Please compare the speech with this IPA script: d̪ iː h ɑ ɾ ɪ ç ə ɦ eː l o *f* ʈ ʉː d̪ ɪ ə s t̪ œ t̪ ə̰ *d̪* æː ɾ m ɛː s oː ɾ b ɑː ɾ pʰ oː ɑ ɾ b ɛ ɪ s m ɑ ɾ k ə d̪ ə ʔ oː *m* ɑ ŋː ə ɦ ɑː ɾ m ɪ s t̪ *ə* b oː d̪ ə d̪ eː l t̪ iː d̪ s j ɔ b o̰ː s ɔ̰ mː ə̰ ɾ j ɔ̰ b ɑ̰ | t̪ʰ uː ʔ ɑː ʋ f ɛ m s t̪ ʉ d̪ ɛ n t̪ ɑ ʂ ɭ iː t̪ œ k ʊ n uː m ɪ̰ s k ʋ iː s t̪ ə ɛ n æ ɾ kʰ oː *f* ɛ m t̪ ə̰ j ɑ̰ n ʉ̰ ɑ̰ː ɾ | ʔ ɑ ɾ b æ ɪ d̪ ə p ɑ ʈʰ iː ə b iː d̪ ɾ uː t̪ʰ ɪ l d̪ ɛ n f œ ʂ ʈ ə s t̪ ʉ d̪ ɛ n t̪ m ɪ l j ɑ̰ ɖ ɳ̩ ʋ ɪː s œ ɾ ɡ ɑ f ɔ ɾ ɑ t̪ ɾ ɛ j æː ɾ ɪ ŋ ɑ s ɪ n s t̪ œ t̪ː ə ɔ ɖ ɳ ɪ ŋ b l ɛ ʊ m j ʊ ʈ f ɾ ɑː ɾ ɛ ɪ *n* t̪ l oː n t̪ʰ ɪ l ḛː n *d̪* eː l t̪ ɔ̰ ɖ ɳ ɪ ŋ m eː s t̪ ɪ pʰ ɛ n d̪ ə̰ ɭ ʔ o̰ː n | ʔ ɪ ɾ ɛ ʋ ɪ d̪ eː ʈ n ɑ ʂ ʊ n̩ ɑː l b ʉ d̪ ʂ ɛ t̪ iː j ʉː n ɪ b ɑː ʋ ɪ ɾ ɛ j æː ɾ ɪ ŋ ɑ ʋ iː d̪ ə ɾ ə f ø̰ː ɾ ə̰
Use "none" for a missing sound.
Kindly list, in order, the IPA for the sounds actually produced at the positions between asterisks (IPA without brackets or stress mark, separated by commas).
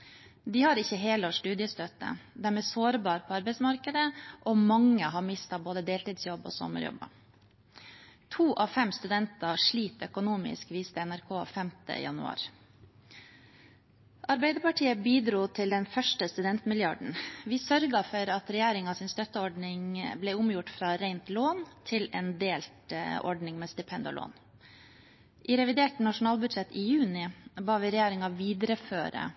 ʂ, d̪, m, ɑ, f, n, d̪